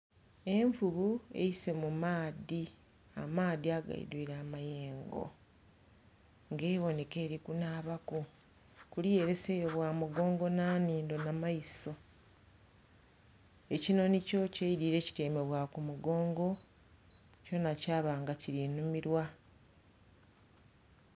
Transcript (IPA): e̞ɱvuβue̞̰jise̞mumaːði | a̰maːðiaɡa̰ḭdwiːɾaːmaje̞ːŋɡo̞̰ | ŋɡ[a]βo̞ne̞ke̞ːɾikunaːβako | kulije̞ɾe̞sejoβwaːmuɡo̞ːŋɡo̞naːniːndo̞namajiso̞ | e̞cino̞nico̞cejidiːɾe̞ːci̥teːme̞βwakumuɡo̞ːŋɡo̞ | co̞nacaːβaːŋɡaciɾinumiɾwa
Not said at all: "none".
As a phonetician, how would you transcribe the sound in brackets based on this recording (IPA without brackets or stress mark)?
e